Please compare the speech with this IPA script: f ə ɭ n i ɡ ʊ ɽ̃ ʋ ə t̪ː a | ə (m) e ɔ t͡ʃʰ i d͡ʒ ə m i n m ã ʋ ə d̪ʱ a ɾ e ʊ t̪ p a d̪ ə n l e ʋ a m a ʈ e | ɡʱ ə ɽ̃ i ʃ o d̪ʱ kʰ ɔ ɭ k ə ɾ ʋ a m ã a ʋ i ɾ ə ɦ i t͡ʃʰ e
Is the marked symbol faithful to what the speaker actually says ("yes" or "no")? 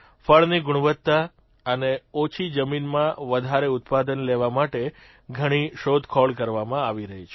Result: no